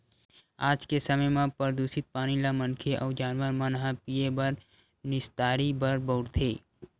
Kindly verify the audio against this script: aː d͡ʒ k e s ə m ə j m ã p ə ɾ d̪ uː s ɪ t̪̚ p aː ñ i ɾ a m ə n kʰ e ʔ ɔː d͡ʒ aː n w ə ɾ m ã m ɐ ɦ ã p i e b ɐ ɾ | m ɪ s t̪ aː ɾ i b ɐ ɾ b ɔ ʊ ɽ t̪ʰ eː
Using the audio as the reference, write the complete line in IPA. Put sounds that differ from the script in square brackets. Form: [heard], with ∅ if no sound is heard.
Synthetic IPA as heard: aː d͡ʒ k e s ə m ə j m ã p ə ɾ d̪ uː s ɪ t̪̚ p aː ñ i [l] a m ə n kʰ e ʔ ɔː d͡ʒ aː n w ə ɾ m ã [n] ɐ ɦ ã p i e b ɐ ɾ | [n] ɪ s t̪ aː ɾ i b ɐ ɾ b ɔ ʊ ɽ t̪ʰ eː